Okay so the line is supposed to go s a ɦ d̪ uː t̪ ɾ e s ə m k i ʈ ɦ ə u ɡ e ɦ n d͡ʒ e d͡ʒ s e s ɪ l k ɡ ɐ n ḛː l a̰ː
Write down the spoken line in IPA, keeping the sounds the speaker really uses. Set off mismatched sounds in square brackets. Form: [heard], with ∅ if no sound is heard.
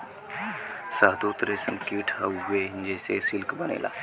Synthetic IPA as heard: s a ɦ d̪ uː t̪ ɾ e s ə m k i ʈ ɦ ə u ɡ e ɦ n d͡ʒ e [∅] s e s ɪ l k [b] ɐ n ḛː l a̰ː